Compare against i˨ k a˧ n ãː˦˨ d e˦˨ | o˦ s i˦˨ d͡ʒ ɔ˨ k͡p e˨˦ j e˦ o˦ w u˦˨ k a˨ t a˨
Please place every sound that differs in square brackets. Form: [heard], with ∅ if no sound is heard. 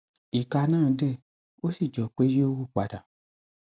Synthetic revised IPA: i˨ k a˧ n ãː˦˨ d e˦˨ | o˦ s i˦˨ d͡ʒ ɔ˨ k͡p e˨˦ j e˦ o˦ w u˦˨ [k͡p] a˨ [d] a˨